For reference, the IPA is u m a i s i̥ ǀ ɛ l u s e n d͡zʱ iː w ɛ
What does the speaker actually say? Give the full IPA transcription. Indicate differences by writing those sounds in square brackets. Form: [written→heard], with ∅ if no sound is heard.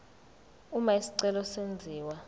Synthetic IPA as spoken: u m a i s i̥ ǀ ɛ l [u→ɔ] s e n d͡zʱ iː w [ɛ→a]

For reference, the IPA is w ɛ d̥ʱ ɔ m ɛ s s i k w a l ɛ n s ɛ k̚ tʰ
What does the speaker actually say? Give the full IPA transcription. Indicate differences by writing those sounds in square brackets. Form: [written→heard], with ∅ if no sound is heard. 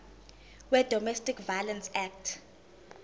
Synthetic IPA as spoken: w ɛ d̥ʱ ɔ m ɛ s [s→t] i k [w→v] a l ɛ n s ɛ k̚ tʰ

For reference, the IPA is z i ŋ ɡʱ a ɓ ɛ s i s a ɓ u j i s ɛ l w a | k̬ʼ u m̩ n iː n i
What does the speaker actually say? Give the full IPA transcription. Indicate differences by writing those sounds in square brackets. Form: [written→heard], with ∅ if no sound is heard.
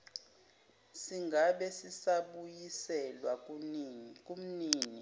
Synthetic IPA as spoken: [z→s] i ŋ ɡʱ a ɓ ɛ s i s a ɓ u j i s ɛ l w a | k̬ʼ u m̩ n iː n i

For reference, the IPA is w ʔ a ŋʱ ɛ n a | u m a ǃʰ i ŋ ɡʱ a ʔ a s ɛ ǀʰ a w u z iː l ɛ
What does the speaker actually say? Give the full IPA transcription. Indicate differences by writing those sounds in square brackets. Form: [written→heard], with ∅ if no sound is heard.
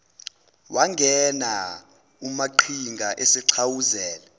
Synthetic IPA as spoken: w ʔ a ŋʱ ɛ n a | u m a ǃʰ i ŋ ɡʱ a ʔ [a→e] s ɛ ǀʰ a w u z [iː→ɛː] l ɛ

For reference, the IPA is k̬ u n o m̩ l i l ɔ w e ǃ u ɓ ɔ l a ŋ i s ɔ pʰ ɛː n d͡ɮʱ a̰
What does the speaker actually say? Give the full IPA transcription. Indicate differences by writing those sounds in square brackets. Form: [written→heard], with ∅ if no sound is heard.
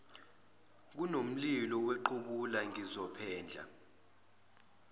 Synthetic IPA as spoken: k̬ u n o m̩ l i l ɔ w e ǃ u ɓ [ɔ→u] l a ŋ i [s→z] ɔ pʰ ɛː n d͡ɮʱ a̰

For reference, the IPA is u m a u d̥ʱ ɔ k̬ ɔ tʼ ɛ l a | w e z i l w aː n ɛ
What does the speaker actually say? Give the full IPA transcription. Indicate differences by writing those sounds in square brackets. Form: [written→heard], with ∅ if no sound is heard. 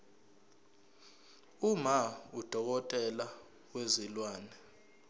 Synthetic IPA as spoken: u m a u d̥ʱ ɔ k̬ ɔ tʼ ɛ l a | w e z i l w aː n ɛ

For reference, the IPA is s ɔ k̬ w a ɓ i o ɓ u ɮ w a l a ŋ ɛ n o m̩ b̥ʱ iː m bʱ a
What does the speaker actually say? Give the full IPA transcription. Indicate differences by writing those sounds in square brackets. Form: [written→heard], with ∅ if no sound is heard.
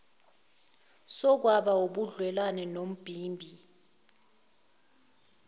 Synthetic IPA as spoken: s ɔ k̬ w a ɓ [i→a] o ɓ u ɮ w [a→ɛ] l a [ŋ→n] ɛ n o m̩ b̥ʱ iː m bʱ [a→i]

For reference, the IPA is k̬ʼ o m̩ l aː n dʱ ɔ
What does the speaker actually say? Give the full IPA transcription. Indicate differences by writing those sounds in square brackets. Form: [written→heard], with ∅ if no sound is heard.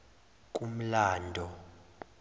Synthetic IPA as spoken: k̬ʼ [o→u] m̩ l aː n dʱ ɔ

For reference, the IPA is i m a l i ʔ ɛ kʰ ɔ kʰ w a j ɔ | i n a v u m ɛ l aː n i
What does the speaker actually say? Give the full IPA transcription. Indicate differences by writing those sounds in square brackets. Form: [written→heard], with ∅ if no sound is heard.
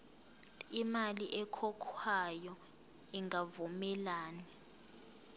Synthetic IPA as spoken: i m a l i ʔ ɛ kʰ ɔ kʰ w a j ɔ | i [n→ŋ] a v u m ɛ l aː n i

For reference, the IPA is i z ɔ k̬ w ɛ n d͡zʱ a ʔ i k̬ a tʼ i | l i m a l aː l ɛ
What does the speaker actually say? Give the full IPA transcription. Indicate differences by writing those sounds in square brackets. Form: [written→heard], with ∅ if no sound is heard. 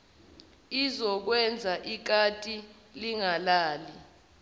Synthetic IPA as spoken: i z ɔ k̬ w ɛ n d͡zʱ a ʔ i k̬ a tʼ i | l i [m→ŋ] a l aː l [ɛ→i]

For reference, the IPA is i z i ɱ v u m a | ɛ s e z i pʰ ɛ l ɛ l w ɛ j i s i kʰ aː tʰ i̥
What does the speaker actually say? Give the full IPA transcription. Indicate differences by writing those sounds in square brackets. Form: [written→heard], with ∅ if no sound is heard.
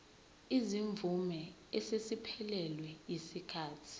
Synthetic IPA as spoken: i z i ɱ v u m [a→ɛ] | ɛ s e [z→s] i pʰ ɛ l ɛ l w ɛ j i s i kʰ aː tʰ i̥

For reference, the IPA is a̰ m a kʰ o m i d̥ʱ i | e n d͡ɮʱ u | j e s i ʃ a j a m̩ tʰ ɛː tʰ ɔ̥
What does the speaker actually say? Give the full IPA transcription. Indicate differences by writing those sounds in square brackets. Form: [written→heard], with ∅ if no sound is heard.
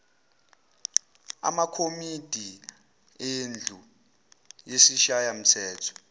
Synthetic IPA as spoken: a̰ m a kʰ o m i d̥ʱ i | e n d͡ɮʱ u | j e s i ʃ a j a m̩ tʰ ɛː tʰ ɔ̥

